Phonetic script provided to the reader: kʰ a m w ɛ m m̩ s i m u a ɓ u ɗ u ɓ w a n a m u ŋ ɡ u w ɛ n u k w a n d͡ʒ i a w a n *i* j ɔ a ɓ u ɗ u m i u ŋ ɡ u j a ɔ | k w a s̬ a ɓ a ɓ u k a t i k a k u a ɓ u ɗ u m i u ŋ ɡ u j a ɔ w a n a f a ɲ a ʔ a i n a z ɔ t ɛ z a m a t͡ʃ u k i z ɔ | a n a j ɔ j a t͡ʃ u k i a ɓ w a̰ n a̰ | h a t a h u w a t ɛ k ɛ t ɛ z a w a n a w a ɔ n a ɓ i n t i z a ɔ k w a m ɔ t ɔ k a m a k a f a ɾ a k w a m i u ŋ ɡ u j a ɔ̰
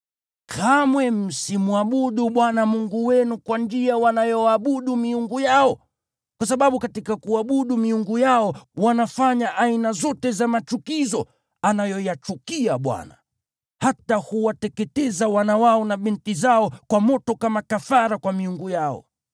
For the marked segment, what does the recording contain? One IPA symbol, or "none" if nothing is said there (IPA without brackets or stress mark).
a